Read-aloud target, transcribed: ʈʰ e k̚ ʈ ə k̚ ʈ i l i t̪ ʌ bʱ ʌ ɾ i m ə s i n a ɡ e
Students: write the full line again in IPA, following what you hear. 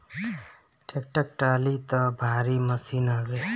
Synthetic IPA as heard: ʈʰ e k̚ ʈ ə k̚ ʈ a l i t̪ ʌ bʱ a ɾ i m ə s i n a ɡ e